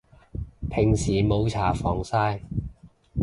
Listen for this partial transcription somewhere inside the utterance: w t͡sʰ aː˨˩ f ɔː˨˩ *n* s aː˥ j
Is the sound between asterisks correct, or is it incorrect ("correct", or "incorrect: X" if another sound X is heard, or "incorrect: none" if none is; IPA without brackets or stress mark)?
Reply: incorrect: ŋ